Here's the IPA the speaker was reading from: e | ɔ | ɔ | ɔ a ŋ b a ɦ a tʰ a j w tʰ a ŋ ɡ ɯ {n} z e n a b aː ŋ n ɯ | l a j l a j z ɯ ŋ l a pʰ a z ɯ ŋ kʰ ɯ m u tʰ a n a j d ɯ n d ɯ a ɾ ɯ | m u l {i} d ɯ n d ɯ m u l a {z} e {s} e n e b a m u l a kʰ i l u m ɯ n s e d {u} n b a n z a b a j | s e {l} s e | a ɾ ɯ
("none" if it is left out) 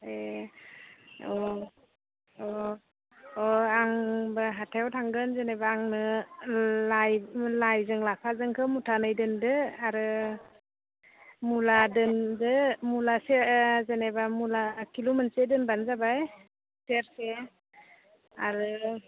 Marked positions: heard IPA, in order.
n, a, s, z, ɯ, ɾ

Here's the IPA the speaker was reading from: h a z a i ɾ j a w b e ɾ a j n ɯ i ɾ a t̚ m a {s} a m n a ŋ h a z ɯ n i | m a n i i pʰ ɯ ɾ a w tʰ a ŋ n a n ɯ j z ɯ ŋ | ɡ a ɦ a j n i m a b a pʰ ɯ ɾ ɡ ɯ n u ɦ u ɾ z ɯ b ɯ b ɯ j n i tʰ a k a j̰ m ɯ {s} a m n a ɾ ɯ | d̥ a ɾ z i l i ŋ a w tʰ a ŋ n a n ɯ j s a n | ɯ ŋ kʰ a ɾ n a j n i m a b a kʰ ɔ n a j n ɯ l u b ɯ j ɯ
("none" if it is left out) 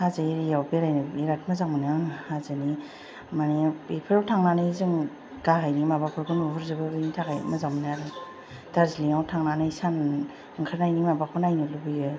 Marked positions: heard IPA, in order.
z, z

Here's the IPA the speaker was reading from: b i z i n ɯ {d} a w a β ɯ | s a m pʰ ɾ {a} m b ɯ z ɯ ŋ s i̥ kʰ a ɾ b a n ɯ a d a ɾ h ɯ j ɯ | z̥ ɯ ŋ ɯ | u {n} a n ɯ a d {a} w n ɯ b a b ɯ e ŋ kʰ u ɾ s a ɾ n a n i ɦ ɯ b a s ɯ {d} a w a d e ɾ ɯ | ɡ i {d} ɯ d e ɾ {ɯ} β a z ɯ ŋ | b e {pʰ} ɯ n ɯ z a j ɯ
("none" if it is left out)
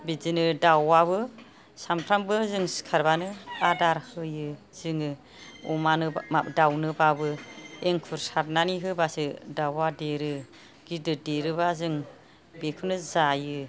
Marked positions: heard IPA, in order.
d, a, m, a, d, d, ɯ, kʰ

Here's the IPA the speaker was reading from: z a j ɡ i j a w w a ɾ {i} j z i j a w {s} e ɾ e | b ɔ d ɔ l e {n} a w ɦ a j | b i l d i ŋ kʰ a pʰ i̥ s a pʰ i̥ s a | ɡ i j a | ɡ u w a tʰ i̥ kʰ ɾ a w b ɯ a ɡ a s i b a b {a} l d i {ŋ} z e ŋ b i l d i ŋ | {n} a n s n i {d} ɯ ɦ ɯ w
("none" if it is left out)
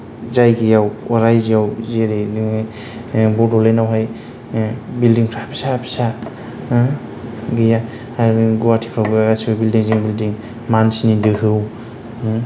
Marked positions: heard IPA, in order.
a, z, n, i, ŋ, m, d

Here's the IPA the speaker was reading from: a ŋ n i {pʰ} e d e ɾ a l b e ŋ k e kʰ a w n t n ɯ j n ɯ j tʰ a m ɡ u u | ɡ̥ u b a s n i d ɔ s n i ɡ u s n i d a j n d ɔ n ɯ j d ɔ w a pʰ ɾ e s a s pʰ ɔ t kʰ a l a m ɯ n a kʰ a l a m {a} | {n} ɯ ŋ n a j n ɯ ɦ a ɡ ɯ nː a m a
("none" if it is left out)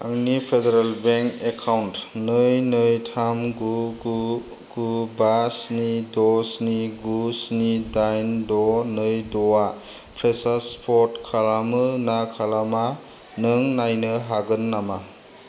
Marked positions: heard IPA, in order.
pʰ, a, n

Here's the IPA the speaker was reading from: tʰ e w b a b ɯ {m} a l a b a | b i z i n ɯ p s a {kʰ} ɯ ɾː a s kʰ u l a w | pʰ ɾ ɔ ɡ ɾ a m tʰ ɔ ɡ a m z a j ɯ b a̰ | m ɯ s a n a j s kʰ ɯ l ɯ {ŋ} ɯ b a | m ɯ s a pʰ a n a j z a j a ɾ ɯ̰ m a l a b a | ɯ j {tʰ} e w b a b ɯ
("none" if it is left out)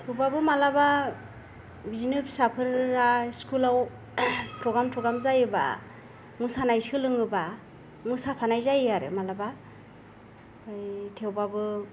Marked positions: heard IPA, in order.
m, pʰ, ŋ, tʰ

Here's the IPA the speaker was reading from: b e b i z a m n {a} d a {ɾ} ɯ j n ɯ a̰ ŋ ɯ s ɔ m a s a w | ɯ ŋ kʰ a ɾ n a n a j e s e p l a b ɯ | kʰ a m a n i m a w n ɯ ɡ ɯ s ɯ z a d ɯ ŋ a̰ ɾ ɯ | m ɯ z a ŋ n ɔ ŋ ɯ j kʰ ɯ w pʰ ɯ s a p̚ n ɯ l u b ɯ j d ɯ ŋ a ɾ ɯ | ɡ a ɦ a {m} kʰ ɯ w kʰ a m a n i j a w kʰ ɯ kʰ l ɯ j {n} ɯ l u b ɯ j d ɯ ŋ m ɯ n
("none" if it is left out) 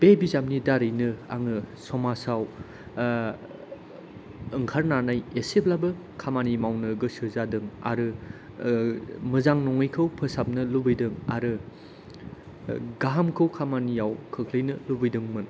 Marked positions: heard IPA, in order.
i, ɾ, m, n

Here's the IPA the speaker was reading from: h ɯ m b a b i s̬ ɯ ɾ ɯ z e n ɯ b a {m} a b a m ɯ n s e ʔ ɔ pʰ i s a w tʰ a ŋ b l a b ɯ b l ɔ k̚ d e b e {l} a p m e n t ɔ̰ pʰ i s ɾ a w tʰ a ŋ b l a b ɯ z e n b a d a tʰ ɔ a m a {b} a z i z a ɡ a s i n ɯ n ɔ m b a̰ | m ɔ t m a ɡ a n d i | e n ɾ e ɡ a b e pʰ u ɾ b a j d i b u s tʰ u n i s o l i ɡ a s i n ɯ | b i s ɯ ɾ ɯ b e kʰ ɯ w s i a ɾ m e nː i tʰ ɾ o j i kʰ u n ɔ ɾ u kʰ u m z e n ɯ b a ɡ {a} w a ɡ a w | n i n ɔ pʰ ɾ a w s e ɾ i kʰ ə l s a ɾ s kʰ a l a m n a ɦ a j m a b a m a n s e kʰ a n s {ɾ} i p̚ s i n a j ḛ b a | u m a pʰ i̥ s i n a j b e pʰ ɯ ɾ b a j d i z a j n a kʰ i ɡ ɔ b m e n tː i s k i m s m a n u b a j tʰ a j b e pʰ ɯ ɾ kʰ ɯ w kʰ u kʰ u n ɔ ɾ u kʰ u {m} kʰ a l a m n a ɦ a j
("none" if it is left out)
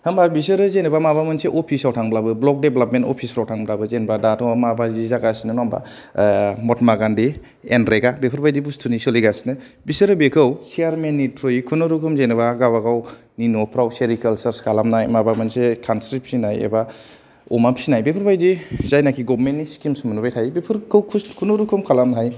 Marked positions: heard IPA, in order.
m, l, b, a, ɾ, m

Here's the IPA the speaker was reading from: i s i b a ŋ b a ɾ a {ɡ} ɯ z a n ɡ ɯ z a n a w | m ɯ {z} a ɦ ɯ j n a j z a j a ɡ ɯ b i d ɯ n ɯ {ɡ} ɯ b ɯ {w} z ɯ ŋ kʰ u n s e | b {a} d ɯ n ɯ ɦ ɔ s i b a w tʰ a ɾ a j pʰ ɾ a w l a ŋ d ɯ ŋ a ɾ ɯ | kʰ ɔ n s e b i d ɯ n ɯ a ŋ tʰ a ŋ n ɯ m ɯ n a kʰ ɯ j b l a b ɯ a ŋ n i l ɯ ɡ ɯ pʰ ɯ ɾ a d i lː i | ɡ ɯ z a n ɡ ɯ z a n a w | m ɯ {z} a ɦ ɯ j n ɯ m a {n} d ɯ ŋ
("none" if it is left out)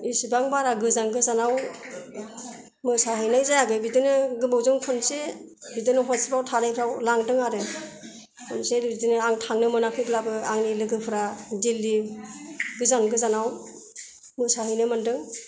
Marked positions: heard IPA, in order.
ɡ, s, ɡ, w, i, s, n

